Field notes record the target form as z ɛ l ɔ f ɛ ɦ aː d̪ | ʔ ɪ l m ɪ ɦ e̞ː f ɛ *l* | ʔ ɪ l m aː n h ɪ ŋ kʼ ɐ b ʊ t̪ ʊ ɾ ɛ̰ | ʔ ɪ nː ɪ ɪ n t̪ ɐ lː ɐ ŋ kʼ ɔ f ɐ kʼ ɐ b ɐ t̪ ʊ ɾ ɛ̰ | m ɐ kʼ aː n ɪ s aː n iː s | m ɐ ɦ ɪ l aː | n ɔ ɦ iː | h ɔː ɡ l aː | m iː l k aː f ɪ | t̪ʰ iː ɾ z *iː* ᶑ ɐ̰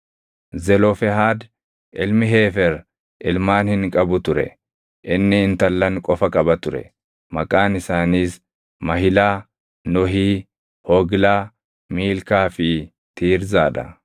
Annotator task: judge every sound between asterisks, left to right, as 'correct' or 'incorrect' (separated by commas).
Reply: incorrect, incorrect